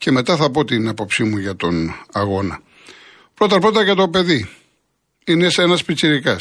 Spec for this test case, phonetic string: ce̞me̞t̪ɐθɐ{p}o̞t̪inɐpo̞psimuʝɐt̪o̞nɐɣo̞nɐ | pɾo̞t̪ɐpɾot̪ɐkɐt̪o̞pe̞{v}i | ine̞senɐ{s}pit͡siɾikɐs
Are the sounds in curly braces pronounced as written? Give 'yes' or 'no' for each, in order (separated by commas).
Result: yes, no, yes